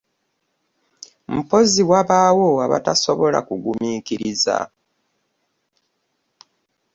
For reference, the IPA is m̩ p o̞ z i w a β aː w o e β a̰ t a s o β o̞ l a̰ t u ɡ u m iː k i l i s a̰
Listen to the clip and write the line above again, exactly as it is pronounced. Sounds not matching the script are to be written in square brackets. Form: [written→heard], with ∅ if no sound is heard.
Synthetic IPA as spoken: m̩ p o̞ z i w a β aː w o [e→a] β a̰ t a s o β o̞ l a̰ [t→k] u ɡ u m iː k i [l→ɾ] i [s→z] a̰